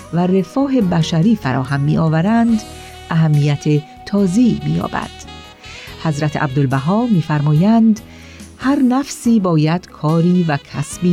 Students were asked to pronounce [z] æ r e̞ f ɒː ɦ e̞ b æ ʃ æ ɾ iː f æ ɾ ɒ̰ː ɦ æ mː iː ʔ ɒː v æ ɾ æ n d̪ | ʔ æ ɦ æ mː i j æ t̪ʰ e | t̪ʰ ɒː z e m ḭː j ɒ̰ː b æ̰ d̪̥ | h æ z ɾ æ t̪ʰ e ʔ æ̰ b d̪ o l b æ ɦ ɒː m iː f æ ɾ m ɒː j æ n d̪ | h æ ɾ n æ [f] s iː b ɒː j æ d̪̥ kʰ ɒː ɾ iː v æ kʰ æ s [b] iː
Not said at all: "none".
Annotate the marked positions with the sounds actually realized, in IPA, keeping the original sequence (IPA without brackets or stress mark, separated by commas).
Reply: v, f, b